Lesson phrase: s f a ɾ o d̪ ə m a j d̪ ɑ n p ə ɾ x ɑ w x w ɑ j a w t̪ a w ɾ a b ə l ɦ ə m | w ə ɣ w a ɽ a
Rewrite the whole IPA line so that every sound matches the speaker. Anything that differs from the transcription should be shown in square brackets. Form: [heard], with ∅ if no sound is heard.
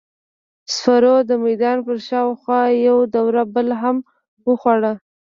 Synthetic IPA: s f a ɾ o d̪ ə m a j d̪ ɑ n p ə ɾ [ʃ] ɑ w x w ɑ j a w [d̪] a w ɾ a b ə l ɦ [a] m | w ə [x] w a ɽ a